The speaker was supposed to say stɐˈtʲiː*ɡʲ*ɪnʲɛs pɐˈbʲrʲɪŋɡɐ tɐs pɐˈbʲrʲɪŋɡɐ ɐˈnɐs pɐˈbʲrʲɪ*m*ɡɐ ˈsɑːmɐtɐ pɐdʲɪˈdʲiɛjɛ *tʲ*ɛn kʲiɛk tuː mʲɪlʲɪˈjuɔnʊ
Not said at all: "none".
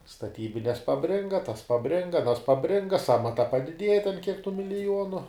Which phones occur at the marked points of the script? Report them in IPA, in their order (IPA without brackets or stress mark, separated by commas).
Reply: bʲ, ŋ, tʲ